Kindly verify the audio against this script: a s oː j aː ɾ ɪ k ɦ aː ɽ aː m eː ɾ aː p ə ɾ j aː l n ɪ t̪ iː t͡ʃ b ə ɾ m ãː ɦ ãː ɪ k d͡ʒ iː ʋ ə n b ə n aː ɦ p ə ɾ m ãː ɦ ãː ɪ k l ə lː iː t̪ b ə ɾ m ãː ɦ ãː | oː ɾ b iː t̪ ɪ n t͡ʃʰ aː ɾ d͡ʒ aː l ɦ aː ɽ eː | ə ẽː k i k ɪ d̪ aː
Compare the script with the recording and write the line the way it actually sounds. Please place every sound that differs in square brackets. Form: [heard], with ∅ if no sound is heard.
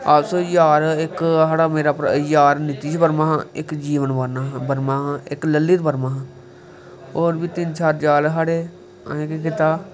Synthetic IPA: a s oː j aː ɾ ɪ k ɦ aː ɽ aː m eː ɾ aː p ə ɾ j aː [ɾ] n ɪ t̪ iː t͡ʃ b ə ɾ m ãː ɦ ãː ɪ k d͡ʒ iː ʋ ə n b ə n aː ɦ [b] ə ɾ m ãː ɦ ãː ɪ k l ə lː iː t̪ b ə ɾ m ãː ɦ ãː | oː ɾ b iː t̪ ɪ n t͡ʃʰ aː ɾ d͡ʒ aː l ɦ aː ɽ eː | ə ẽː k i k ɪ [t̪] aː